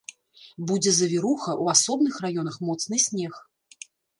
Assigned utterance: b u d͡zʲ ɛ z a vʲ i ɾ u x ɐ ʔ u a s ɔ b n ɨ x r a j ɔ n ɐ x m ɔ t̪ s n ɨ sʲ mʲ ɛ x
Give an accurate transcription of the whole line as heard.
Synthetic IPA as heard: b u d͡zʲ ɛ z ɐ vʲ i ɾ u x ɐ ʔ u a s ɔ b n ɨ x r a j ɔ n ɐ x m ɔ t̪ s n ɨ sʲ nʲ ɛ x